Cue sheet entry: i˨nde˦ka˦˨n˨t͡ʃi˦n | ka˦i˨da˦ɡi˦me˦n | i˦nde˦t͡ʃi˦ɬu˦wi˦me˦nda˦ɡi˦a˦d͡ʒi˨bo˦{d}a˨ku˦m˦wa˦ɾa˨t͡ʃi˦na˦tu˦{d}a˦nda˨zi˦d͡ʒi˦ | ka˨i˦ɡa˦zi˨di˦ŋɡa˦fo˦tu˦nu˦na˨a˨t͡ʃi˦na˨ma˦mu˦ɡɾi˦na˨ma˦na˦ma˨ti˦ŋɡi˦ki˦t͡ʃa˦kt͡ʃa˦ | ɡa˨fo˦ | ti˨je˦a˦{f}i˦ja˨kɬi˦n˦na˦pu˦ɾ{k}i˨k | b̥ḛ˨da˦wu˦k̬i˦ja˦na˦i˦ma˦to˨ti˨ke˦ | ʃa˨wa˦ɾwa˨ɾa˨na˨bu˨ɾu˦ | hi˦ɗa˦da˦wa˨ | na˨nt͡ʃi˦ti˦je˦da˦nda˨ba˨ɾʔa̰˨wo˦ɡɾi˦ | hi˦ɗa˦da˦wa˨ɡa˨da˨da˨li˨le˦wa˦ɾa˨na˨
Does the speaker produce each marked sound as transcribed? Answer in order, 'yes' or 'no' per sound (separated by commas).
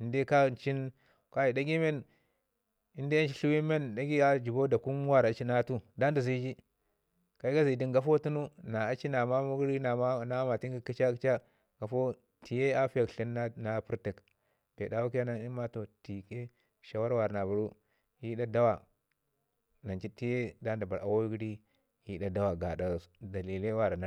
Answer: yes, yes, yes, no